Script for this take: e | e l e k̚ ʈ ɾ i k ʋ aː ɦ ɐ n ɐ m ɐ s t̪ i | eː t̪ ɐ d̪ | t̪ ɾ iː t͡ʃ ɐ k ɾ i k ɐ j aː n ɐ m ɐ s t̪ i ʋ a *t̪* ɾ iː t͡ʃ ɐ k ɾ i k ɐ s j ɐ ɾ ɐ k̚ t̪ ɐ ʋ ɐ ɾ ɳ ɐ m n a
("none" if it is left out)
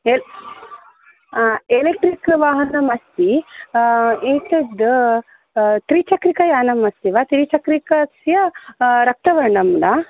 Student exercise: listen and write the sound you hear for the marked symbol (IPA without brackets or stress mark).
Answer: t̪